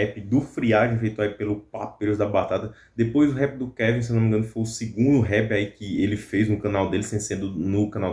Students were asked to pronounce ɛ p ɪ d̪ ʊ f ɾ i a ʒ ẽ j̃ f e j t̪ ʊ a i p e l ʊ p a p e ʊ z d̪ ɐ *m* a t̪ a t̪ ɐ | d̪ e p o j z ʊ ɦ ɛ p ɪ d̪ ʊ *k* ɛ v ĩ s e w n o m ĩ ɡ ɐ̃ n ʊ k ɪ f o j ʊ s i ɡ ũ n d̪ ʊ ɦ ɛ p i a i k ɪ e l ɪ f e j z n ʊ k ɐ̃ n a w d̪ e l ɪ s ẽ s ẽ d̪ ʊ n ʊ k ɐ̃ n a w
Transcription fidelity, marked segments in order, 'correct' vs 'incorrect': incorrect, correct

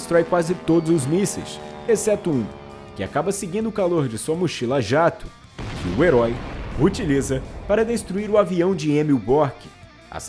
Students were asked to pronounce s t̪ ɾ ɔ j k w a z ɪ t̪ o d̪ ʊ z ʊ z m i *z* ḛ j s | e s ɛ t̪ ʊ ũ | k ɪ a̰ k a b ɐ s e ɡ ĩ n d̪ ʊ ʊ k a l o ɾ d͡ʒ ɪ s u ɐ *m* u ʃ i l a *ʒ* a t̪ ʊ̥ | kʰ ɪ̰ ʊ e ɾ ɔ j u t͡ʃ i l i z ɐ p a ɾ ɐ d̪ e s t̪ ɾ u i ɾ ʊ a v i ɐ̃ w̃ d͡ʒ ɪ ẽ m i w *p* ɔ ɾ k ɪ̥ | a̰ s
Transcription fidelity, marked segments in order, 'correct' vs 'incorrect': incorrect, correct, correct, incorrect

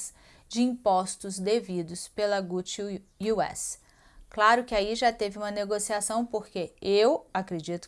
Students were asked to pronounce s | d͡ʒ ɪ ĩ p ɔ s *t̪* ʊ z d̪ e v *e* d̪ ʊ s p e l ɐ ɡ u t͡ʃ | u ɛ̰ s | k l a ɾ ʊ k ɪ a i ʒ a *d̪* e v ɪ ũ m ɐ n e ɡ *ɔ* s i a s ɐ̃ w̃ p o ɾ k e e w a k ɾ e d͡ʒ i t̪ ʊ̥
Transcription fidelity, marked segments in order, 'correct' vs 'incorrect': correct, incorrect, incorrect, incorrect

